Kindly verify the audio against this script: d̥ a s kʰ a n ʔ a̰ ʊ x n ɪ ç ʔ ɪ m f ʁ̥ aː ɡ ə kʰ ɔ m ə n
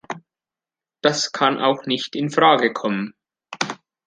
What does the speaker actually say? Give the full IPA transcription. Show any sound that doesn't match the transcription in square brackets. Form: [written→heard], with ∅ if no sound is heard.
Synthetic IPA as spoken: d̥ a s kʰ a n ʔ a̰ ʊ x n ɪ ç [ʔ→t] ɪ [m→n] f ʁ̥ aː ɡ ə kʰ ɔ m ə n

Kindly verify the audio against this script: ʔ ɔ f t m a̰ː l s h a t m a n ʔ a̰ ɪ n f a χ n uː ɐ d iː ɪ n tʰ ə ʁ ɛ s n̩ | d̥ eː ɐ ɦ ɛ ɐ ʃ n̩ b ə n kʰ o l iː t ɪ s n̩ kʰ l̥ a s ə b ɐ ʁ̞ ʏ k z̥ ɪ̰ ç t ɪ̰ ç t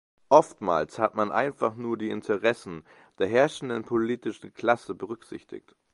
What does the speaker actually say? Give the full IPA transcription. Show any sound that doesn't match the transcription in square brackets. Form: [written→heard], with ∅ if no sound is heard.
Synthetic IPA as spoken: ʔ ɔ f t m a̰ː l s h a t m a n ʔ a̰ ɪ n f a χ n uː ɐ d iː ɪ n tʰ ə ʁ ɛ s n̩ | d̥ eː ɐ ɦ ɛ ɐ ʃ n̩ [b→d] ə n [kʰ→pʰ] o l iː t ɪ [s→ʃ] n̩ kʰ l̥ a s ə b [ɐ→ə] ʁ̞ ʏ k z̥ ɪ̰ ç t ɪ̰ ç t

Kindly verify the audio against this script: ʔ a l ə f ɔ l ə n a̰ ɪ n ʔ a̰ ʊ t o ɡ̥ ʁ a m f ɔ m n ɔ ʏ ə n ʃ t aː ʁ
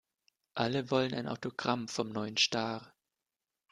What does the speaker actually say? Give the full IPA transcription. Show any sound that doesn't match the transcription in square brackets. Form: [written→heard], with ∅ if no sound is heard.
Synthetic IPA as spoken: ʔ a l ə [f→v] ɔ l ə n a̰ ɪ n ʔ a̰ ʊ t o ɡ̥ ʁ a m f ɔ m n ɔ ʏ ə n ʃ t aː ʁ

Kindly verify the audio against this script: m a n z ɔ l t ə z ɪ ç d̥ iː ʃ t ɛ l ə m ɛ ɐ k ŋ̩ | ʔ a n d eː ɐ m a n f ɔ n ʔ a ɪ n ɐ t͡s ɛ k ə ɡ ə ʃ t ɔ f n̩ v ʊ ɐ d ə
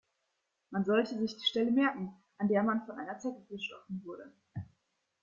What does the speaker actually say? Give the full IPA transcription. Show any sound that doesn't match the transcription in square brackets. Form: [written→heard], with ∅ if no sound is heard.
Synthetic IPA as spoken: m a n z ɔ l t ə z ɪ ç d̥ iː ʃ t ɛ l ə m ɛ ɐ k ŋ̩ | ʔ a n d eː ɐ m a n f ɔ n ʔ a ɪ n ɐ t͡s ɛ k ə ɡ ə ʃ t ɔ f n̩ v ʊ ɐ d ə

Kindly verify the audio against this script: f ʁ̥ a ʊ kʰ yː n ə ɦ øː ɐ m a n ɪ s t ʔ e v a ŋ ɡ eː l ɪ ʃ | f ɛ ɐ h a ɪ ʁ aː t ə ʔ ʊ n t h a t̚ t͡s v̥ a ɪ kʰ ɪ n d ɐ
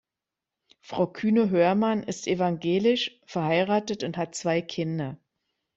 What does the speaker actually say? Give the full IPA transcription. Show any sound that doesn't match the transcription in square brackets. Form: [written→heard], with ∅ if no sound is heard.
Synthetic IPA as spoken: f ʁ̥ a ʊ kʰ yː n ə ɦ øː ɐ m a n ɪ s t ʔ e v a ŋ ɡ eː l ɪ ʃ | f ɛ ɐ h a ɪ ʁ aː t ə [ʔ→t] ʊ n t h a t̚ t͡s v̥ a ɪ kʰ ɪ n d ɐ

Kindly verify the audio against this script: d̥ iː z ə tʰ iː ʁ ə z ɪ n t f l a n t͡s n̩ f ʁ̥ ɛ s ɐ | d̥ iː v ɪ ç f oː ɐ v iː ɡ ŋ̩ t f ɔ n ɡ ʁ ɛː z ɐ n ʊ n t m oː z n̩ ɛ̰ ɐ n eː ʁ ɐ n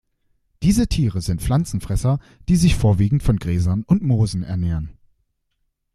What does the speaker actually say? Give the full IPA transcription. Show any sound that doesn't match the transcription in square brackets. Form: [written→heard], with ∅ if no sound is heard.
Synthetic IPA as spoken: d̥ iː z ə tʰ iː ʁ ə z ɪ n t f l a n t͡s n̩ f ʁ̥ ɛ s ɐ | d̥ iː [v→z] ɪ ç f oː ɐ v iː ɡ ŋ̩ t f ɔ n ɡ ʁ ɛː z ɐ n ʊ n t m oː z n̩ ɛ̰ ɐ n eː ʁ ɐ n

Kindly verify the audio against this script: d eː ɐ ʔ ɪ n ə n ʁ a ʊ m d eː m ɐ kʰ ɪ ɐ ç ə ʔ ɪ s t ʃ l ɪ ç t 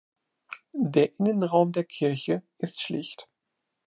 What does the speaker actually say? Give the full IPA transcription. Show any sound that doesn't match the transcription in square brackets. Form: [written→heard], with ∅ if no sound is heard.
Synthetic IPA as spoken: d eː ɐ ʔ ɪ n ə n ʁ a ʊ m d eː [m→∅] ɐ kʰ ɪ ɐ ç ə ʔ ɪ s t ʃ l ɪ ç t

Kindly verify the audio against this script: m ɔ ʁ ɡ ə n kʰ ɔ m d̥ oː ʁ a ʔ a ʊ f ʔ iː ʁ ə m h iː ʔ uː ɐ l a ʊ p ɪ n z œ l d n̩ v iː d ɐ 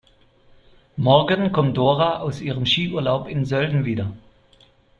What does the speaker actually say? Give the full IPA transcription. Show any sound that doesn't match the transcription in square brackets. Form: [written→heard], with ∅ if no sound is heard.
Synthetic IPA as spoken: m ɔ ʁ ɡ ə n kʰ ɔ m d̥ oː ʁ a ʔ a ʊ [f→s] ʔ iː ʁ ə m [h→ʃ] iː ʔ uː ɐ l a ʊ p ɪ n z œ l d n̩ v iː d ɐ

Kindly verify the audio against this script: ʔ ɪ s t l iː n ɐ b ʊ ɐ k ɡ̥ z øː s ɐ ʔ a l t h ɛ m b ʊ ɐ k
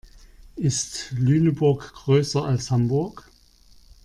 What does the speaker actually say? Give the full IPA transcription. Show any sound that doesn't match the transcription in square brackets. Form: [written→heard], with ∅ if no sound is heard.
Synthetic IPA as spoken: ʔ ɪ s t l [iː→yː] n [ɐ→ə] b ʊ ɐ k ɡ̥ [z→ʁ] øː s ɐ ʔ a l [t→s] h [ɛ→a] m b ʊ ɐ k

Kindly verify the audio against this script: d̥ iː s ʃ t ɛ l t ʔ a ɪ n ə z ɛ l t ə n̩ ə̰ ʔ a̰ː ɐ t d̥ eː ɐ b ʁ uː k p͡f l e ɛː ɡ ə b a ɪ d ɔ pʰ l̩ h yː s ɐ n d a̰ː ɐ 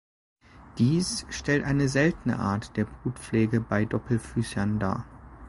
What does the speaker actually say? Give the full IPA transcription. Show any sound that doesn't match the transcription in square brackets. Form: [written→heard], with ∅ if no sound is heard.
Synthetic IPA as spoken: d̥ iː s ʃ t ɛ l t ʔ a ɪ n ə z ɛ l t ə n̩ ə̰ ʔ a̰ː ɐ t d̥ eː ɐ b ʁ uː [k→t] p͡f l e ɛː ɡ ə b a ɪ d ɔ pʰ l̩ [h→f] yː s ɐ n d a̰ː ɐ

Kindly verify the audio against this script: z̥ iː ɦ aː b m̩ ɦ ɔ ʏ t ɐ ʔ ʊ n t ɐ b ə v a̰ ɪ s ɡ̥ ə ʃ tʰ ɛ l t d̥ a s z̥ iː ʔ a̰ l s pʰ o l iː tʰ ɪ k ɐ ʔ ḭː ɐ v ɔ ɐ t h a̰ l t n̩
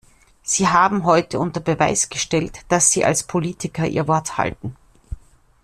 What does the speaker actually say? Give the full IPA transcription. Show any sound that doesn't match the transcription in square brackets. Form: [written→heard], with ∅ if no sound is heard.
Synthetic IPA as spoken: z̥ iː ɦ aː b m̩ ɦ ɔ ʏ t [ɐ→ə] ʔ ʊ n t ɐ b ə v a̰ ɪ s ɡ̥ ə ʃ [tʰ→t] ɛ l t d̥ a s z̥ iː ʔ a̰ l s pʰ o l iː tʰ ɪ k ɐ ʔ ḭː ɐ v ɔ ɐ t h a̰ l t n̩

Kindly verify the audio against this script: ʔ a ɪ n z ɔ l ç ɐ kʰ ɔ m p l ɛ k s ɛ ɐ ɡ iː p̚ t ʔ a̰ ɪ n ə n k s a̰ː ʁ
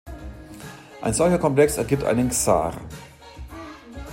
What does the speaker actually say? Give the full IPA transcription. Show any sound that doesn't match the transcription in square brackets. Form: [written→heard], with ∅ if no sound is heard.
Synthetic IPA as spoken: ʔ a ɪ n z ɔ l ç ɐ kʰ ɔ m p l ɛ k s ɛ ɐ ɡ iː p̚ t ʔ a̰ ɪ n ə n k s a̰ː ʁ

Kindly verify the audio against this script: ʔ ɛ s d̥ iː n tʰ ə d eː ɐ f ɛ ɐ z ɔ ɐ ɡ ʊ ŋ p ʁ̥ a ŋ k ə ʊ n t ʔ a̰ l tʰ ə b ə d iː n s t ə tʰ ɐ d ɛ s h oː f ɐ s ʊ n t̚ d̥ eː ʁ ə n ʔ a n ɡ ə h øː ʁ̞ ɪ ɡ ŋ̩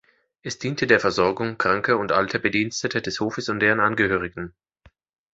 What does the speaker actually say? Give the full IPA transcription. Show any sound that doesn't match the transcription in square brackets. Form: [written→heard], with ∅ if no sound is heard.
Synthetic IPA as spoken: ʔ ɛ s d̥ iː n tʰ ə d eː ɐ f ɛ ɐ z ɔ ɐ ɡ ʊ ŋ [p→k] ʁ̥ a ŋ k ə ʊ n t ʔ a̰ l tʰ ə b ə d iː n s t ə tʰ [ɐ→ə] d ɛ s h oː f [ɐ→ə] s ʊ n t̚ d̥ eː ʁ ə n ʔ a n ɡ ə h øː ʁ̞ ɪ ɡ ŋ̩

